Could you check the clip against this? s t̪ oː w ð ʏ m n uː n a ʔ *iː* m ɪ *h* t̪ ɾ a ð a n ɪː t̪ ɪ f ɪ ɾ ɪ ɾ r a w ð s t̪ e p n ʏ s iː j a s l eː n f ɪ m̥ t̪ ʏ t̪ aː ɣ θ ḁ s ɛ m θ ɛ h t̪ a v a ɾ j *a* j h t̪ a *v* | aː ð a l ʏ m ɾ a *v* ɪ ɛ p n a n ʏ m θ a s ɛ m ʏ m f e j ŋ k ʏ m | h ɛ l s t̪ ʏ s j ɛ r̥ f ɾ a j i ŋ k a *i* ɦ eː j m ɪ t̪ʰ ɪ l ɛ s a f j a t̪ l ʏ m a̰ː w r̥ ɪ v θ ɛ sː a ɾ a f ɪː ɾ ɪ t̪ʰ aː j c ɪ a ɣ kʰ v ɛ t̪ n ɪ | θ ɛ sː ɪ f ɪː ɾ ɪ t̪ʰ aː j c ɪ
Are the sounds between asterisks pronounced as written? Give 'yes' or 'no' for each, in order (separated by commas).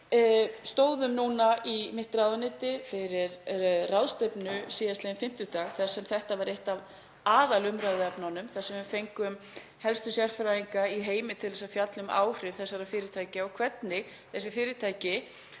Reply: no, yes, no, yes, no, yes